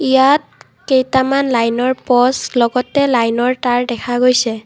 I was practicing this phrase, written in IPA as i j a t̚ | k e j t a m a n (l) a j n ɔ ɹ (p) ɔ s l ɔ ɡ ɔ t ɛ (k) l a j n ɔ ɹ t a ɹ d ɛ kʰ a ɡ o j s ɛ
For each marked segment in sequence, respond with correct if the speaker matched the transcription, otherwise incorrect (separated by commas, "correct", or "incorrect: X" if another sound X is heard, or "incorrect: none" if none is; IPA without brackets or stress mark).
correct, correct, incorrect: none